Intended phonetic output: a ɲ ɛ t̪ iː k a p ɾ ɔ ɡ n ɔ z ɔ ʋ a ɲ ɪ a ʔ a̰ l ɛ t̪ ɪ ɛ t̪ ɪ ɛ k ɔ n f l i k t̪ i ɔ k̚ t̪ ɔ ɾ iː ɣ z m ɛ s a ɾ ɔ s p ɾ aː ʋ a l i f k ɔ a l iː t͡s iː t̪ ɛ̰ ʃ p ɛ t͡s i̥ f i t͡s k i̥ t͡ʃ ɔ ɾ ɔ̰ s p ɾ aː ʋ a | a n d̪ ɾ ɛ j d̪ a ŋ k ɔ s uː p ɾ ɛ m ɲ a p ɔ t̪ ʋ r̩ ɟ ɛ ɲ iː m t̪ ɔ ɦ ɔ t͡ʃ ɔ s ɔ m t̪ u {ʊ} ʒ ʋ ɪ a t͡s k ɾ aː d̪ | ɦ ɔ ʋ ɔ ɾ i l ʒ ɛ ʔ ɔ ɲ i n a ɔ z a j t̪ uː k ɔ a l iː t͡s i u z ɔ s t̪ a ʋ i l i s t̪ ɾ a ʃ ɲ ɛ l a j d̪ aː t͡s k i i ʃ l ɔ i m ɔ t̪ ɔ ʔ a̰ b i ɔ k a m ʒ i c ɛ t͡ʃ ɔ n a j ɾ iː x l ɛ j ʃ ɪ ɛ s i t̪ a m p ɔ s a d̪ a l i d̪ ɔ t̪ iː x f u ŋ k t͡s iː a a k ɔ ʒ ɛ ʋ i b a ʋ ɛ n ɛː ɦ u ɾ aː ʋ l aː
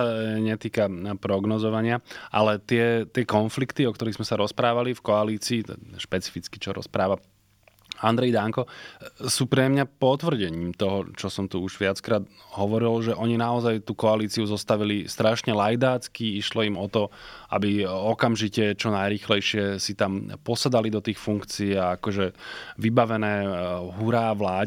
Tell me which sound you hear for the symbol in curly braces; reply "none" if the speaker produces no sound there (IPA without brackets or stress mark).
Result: u